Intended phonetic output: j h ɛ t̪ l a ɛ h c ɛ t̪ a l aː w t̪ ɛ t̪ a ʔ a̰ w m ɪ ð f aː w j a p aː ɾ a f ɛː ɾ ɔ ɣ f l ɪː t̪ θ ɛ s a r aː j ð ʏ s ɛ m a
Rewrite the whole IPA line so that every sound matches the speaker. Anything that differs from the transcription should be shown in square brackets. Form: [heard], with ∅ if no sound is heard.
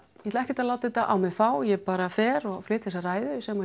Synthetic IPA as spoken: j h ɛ t̪ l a ɛ h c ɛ t̪ a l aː w t̪ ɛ t̪ a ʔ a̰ w m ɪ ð f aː w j [ɛ] p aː ɾ a f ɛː ɾ ɔ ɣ f l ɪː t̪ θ ɛ s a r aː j ð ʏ s ɛ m a